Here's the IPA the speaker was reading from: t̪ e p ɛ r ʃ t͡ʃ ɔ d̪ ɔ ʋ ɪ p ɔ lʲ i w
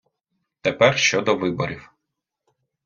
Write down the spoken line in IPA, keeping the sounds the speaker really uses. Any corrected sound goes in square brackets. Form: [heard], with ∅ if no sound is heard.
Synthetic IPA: t̪ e p ɛ r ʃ t͡ʃ ɔ d̪ ɔ ʋ ɪ [b] ɔ [ɾʲ] i w